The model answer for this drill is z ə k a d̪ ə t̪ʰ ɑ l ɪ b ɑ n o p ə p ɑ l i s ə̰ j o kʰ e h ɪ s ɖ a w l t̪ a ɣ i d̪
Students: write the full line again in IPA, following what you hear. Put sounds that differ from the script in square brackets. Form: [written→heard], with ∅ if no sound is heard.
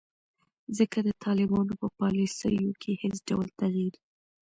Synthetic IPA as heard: z ə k a d̪ ə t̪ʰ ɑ l ɪ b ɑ n o p ə p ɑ l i s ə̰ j o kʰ e h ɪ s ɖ a w l t̪ a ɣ i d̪